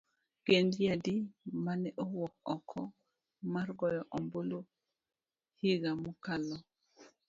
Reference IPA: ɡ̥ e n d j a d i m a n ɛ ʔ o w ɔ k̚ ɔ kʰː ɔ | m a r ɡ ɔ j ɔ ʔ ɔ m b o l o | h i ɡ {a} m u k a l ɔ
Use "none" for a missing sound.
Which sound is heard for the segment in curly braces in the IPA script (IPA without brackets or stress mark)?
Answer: a